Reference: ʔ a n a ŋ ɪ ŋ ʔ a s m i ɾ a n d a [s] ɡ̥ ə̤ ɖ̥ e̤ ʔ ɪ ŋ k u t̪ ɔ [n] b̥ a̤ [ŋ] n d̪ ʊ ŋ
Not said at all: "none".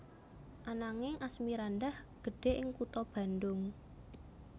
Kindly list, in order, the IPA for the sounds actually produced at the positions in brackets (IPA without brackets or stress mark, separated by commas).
h, none, none